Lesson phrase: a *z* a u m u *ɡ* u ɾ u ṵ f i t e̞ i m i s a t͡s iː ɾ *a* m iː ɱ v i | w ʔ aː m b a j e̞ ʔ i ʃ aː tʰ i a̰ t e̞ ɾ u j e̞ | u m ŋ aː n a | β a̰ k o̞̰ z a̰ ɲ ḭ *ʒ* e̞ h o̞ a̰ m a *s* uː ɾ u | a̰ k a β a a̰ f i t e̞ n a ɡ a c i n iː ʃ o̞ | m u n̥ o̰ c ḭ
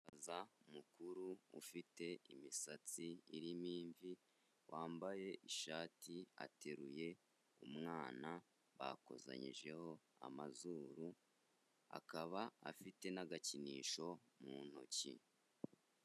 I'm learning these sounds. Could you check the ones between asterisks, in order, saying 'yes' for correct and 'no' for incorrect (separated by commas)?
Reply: yes, no, no, yes, no